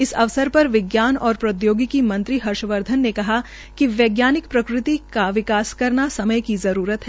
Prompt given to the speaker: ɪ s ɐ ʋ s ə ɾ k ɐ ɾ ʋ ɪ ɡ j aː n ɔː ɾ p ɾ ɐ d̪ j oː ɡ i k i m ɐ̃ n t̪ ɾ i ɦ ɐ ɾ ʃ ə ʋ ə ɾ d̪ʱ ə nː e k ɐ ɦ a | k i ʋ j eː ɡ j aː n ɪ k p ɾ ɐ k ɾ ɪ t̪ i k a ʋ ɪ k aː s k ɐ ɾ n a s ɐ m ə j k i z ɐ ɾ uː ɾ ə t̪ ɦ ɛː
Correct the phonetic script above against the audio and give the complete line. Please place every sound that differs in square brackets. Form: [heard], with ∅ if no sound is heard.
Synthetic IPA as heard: ɪ s ɐ ʋ s ə ɾ [p] ɐ ɾ ʋ ɪ ɡ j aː n ɔː ɾ p ɾ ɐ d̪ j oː ɡ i k i m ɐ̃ n t̪ ɾ i ɦ ɐ ɾ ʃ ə ʋ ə ɾ d̪ʱ ə nː e k ɐ ɦ a | k i ʋ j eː ɡ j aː n ɪ k p ɾ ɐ k ɾ ɪ t̪ i k a ʋ ɪ k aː s k ɐ ɾ n a s ɐ m ə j k i z ɐ ɾ uː ɾ ə t̪ ɦ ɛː